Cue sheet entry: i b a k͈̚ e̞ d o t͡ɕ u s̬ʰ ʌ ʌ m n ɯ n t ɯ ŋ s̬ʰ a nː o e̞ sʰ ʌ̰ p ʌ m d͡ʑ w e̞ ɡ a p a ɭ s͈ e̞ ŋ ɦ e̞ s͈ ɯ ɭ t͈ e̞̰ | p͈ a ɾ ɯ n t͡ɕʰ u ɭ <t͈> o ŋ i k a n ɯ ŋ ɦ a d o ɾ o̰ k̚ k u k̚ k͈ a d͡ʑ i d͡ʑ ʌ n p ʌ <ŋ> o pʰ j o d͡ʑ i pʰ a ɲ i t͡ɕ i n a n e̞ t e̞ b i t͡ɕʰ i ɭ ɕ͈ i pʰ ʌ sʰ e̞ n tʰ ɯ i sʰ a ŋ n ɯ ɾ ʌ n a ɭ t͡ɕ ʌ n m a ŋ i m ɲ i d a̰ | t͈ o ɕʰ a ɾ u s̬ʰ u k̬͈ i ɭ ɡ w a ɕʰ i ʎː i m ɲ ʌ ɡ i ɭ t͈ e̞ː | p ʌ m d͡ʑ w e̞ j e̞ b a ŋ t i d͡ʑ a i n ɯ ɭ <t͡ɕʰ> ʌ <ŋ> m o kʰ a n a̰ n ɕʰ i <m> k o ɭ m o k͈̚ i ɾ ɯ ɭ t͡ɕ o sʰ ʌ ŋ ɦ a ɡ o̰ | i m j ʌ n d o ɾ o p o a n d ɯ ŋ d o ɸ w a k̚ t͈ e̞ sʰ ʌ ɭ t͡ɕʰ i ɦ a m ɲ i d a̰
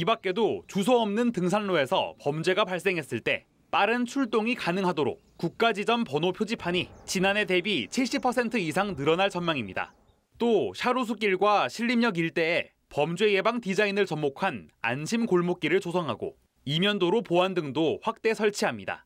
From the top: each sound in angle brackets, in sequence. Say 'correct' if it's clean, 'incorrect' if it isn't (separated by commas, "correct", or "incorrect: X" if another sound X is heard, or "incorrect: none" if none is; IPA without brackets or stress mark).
correct, incorrect: n, incorrect: t͡ɕ, incorrect: m, correct